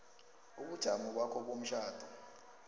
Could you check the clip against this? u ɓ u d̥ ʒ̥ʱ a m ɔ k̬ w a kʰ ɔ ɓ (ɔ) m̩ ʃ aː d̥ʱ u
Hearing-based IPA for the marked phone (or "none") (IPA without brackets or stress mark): o